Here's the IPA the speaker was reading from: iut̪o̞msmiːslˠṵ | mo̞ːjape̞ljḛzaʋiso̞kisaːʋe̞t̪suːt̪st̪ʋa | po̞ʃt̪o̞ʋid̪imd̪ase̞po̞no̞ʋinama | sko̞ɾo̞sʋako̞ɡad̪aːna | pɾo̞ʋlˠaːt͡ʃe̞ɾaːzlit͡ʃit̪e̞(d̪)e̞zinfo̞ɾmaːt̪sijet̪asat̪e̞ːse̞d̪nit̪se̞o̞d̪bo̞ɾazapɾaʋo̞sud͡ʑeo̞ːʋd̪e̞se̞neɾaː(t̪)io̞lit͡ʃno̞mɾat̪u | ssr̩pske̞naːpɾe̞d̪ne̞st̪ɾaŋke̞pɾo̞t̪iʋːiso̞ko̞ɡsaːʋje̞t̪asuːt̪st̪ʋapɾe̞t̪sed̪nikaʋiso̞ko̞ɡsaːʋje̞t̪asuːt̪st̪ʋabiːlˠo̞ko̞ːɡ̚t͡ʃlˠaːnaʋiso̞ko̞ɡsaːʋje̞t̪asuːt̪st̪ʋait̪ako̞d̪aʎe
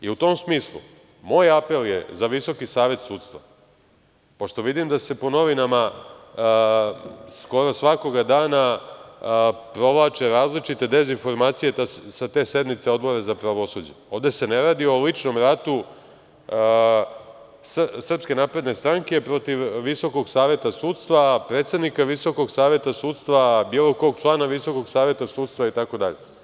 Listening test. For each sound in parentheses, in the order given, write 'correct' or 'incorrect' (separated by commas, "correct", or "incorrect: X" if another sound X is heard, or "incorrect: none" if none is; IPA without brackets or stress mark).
correct, incorrect: d̪